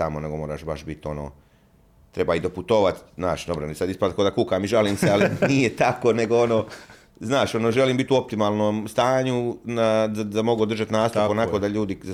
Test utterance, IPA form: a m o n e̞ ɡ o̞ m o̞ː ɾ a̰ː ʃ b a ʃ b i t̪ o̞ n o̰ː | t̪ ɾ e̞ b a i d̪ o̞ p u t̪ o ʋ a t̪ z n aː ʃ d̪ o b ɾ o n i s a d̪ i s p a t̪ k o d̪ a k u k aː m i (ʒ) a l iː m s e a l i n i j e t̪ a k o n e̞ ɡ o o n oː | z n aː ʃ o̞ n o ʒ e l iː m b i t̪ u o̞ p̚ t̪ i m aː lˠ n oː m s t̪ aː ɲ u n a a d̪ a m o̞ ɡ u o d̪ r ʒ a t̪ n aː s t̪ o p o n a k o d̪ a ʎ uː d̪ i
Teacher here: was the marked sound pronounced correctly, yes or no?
yes